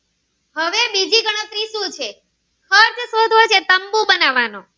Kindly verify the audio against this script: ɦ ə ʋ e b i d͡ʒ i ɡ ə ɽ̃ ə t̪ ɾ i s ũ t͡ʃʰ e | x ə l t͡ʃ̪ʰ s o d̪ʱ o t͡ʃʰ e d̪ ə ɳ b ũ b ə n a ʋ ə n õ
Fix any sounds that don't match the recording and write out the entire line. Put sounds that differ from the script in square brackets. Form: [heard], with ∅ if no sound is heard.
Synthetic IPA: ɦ ə ʋ e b i d͡ʒ i ɡ ə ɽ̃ ə t̪ ɾ i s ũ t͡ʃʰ e | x ə [ɾ] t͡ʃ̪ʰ s o d̪ʱ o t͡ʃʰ e [t̪] ə [m] b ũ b ə n a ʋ [a] n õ